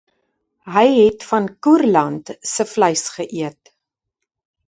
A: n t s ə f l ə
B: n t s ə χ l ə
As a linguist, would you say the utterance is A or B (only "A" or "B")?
A